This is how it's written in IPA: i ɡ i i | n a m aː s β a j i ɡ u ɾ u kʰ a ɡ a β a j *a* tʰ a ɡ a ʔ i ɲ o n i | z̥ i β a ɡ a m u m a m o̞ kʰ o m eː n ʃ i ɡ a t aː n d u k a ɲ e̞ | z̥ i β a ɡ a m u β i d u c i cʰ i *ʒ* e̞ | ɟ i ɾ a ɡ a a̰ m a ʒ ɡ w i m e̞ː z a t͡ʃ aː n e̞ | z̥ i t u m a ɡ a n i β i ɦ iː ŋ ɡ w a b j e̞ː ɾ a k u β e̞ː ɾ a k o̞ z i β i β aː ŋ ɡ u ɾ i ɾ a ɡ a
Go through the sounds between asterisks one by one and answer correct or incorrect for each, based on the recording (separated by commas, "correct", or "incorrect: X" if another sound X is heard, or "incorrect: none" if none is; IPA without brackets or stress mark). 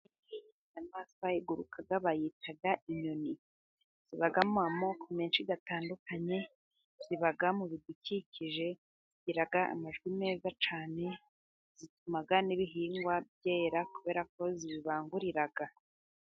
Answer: incorrect: i, correct